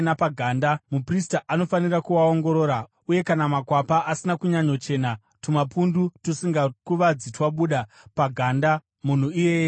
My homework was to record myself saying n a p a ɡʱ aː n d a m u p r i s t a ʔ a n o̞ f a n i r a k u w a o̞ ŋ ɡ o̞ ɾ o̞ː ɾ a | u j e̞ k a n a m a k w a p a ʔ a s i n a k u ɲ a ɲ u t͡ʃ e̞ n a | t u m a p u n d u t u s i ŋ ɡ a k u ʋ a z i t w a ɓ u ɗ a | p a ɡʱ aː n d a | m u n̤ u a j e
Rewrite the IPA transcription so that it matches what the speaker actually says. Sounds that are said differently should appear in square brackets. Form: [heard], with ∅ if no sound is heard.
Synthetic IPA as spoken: n a p a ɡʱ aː n d a m u p r i s t a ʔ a n o̞ f a n i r a k u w a o̞ ŋ ɡ o̞ ɾ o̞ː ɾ a | u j e̞ k a n a m a k w a p a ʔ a s i n a k u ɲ a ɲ [o] t͡ʃ e̞ n a | t u m a p u n d u t u s i ŋ ɡ a k u ʋ a [d͡z] i t w a ɓ u ɗ a | p a ɡʱ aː n d a | m u n̤ u [i] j e